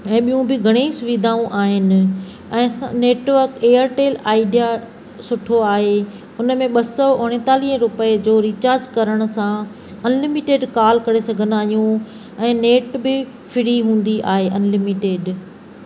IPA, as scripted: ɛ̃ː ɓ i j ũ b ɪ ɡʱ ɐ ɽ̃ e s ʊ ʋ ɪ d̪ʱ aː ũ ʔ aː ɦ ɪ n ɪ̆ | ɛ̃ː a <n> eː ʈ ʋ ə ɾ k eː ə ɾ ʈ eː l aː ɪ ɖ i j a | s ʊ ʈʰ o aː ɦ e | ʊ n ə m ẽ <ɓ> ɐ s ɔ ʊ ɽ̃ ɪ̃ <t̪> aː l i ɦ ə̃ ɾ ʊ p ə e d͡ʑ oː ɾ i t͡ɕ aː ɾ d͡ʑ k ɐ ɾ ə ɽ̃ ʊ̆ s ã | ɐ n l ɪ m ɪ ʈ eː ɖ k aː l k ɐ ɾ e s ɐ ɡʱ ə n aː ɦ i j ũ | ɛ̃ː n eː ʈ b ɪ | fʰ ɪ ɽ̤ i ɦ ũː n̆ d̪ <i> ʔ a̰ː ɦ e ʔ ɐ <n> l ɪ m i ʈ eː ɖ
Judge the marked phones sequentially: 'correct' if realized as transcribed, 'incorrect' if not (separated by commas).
correct, correct, correct, correct, correct